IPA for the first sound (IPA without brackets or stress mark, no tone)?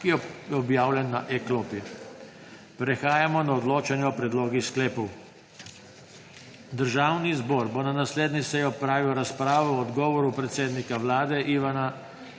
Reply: k